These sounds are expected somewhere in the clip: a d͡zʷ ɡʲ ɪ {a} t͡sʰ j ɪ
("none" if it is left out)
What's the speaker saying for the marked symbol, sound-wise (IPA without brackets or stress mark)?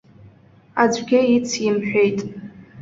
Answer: i